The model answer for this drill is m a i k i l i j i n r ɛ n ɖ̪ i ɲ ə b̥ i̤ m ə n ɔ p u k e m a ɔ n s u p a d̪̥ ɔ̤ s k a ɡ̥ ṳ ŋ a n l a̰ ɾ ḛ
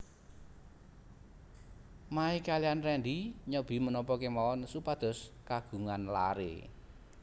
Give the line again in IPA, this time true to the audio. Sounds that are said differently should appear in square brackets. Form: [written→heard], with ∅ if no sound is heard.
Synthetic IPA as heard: m a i k [i→a] l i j [i→a] n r ɛ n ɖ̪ i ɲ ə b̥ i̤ m ə n ɔ p [u→ɔ] k e m a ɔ n s u p a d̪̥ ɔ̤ s k a ɡ̥ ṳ ŋ a n l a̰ ɾ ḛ